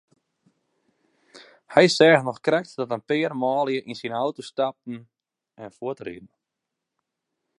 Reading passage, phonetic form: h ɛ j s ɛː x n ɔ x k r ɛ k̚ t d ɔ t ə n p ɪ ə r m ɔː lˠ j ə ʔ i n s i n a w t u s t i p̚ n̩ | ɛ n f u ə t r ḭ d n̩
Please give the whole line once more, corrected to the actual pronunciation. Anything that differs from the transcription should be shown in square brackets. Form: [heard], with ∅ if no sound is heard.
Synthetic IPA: h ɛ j s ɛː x n ɔ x k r ɛ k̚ t d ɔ t ə n p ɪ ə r m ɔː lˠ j ə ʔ i n s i n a w t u s t [a] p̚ n̩ | ɛ n f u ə t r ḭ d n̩